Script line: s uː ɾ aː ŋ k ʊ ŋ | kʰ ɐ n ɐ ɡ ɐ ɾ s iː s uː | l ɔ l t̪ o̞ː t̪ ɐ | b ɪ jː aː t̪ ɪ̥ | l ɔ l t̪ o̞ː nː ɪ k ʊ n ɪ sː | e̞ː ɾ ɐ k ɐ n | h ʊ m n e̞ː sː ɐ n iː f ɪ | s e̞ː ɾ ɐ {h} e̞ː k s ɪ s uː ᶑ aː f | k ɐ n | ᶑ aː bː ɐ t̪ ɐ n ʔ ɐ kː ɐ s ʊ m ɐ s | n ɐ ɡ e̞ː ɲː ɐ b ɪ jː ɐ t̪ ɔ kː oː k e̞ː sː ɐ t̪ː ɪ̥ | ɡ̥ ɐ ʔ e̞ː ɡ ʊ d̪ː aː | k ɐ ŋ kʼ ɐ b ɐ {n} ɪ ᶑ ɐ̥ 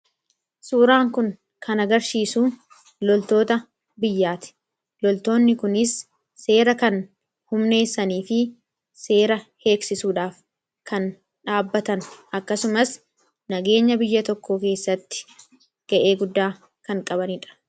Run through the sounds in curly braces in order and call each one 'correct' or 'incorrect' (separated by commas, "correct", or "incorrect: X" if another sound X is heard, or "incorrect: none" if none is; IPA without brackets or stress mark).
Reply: correct, correct